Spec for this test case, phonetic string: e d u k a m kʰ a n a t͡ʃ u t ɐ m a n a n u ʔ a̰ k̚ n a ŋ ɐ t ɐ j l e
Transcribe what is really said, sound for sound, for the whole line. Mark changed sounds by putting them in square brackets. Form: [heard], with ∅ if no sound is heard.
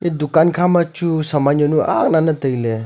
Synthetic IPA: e d u k a [n] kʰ a [m] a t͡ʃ u [s] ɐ m a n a n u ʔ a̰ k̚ n a [n] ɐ t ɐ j l e